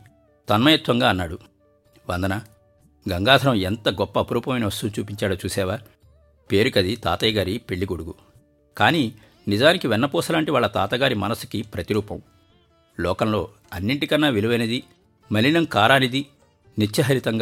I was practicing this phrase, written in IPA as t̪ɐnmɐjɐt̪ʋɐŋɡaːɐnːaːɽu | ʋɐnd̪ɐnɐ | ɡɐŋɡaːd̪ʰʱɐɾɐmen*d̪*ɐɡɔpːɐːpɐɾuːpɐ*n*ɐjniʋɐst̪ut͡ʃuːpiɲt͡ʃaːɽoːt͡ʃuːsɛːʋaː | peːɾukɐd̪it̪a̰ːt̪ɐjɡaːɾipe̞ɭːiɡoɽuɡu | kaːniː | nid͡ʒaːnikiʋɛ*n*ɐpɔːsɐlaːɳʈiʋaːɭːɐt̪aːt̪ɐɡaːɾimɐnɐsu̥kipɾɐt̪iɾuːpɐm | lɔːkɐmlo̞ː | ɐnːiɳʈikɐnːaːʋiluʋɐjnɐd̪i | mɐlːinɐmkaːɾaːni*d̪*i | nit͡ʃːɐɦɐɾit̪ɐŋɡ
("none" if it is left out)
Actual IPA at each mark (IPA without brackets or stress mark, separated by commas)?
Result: t̪, m, nː, d̪